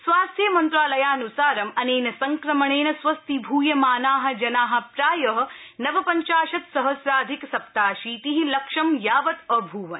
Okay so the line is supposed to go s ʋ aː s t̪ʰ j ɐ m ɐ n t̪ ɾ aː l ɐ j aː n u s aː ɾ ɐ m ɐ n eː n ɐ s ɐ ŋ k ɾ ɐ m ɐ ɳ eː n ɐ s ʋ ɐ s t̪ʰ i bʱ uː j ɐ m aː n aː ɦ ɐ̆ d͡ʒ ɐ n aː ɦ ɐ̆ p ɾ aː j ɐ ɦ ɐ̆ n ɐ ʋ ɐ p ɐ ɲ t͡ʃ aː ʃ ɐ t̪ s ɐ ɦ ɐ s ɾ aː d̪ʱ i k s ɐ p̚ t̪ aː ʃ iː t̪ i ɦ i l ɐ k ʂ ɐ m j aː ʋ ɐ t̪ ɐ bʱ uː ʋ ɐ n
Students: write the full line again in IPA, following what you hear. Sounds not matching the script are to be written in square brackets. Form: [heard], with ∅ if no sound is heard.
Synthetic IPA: s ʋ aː s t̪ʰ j ɐ m ɐ n t̪ ɾ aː l ɐ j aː n u s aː ɾ ɐ m ɐ n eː n ɐ s ɐ ŋ k ɾ ɐ m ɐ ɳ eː n ɐ s ʋ ɐ s [t̪] i bʱ uː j ɐ m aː n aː ɦ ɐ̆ d͡ʒ ɐ n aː ɦ ɐ̆ p ɾ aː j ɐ ɦ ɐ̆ n ɐ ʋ ɐ p ɐ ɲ t͡ʃ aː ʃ ɐ t̪ s ɐ ɦ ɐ s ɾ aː d̪ʱ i k s ɐ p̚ t̪ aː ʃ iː t̪ i ɦ i l ɐ k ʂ ɐ m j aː ʋ ɐ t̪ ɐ bʱ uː ʋ ɐ n